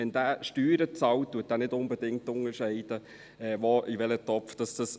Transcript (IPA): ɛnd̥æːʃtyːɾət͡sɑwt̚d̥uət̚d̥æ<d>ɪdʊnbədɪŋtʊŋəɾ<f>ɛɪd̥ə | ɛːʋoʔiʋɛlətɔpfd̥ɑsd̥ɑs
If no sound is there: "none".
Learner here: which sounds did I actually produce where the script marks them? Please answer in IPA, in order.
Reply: n, ʃ

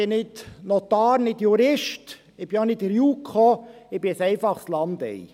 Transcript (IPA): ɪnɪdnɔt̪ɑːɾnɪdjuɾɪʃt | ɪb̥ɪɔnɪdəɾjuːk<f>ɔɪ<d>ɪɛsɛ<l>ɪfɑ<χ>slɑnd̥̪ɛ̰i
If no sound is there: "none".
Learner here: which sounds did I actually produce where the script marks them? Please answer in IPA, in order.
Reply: χ, b, none, χ

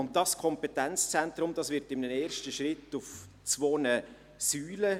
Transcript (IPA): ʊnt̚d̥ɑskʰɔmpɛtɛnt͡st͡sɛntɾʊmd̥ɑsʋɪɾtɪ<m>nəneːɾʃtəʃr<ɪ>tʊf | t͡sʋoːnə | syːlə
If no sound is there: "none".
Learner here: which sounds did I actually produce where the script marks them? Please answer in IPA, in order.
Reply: m, ɪ

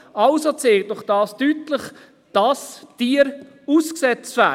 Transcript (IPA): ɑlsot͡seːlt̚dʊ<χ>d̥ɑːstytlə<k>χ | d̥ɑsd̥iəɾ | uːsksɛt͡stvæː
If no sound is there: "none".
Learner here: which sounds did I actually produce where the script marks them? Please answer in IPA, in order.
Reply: χ, none

